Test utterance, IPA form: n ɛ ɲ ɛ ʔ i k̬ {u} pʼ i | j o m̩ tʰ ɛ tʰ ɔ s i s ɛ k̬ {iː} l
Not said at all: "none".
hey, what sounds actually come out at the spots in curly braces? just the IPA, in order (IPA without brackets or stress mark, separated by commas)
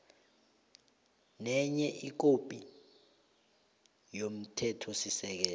o, ɛː